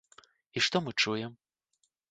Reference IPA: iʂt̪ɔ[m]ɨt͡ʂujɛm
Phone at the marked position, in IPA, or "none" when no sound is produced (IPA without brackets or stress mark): m